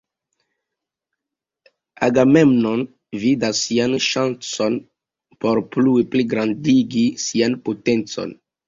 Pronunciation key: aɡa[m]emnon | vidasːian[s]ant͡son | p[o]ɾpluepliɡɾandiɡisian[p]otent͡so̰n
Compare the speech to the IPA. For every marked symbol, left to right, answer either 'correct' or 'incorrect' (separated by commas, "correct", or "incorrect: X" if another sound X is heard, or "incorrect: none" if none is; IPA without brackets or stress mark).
correct, incorrect: ʃ, correct, correct